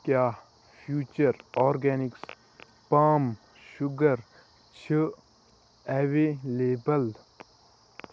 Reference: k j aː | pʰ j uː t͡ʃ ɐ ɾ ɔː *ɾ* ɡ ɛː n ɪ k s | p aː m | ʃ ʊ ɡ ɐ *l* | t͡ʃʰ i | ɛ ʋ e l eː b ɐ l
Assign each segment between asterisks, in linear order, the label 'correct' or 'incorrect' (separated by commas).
correct, incorrect